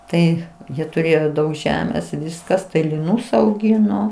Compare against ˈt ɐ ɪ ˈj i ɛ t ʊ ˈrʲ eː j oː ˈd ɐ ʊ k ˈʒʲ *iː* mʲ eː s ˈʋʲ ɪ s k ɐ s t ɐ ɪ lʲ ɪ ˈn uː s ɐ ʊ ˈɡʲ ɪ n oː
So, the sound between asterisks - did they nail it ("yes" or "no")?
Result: no